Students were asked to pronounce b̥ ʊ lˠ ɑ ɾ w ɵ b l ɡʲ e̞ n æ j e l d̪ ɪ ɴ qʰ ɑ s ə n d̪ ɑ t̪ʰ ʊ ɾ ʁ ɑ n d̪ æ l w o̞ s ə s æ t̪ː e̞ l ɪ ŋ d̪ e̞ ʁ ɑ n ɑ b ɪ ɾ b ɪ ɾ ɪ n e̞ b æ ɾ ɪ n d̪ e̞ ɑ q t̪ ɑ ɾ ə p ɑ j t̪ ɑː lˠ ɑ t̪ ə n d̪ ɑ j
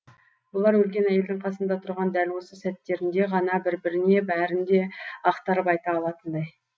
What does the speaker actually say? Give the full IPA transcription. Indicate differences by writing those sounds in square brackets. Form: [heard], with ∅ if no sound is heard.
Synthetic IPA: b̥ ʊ lˠ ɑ ɾ w ɵ [∅] l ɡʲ e̞ n æ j e l d̪ ɪ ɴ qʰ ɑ s ə n d̪ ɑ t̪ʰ ʊ ɾ ʁ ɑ n d̪ æ l w o̞ s ə s æ t̪ː e̞ [ɾ] ɪ [n] d̪ e̞ ʁ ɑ n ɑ b ɪ ɾ b ɪ ɾ ɪ n e̞ b æ ɾ ɪ n d̪ e̞ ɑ q t̪ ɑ ɾ ə p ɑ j t̪ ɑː lˠ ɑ t̪ ə n d̪ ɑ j

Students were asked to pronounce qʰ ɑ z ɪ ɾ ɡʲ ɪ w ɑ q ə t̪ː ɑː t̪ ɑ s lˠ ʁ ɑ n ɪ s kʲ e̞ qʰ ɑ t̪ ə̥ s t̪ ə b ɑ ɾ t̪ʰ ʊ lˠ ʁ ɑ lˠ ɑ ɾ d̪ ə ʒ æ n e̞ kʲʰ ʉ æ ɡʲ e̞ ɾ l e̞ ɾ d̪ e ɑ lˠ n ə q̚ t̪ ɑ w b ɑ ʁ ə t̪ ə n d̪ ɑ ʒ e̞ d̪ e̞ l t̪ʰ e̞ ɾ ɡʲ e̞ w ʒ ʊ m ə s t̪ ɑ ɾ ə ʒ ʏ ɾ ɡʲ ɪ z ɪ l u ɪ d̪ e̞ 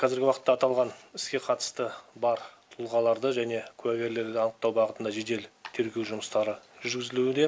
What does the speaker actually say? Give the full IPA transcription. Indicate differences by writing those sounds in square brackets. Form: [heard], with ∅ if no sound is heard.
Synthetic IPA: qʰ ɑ z ɪ ɾ ɡʲ ɪ w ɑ q ə t̪ː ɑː t̪ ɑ [∅] lˠ ʁ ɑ n ɪ s kʲ e̞ qʰ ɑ t̪ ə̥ s t̪ ə b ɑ ɾ t̪ʰ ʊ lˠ ʁ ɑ lˠ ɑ ɾ d̪ ə ʒ æ n e̞ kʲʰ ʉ æ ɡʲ e̞ ɾ l e̞ ɾ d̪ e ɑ [∅] n ə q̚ t̪ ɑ w b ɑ ʁ ə t̪ ə n d̪ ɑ ʒ e̞ d̪ e̞ l t̪ʰ e̞ ɾ ɡʲ e̞ w ʒ ʊ m ə s t̪ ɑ ɾ ə ʒ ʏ ɾ ɡʲ ɪ z ɪ l u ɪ d̪ e̞

